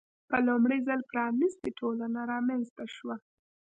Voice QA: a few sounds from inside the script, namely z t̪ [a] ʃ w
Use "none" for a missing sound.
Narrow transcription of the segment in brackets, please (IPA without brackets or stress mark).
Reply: a